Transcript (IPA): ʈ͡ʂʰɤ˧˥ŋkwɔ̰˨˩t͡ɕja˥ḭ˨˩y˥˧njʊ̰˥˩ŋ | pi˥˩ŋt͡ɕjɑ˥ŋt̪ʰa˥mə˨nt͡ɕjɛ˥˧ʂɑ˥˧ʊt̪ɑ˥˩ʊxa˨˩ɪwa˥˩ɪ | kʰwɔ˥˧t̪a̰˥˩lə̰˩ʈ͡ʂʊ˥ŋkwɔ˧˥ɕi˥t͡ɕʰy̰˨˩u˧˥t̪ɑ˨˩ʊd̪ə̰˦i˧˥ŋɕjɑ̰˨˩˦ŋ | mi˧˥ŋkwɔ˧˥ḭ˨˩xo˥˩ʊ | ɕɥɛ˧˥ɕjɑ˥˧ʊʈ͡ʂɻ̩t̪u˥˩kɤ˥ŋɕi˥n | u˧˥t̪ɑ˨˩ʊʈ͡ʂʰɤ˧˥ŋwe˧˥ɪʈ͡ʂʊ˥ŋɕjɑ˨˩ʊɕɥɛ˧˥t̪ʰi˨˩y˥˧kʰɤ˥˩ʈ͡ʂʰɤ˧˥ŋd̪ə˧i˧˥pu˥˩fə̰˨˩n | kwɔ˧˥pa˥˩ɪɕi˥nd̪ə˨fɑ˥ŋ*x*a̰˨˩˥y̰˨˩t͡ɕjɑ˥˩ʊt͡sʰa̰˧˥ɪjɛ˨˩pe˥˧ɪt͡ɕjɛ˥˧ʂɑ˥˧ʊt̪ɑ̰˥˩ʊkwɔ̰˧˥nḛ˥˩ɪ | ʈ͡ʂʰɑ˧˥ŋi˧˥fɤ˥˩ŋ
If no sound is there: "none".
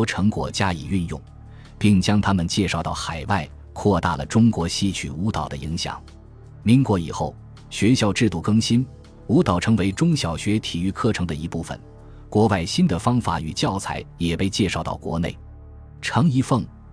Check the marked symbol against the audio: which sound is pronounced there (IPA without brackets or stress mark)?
f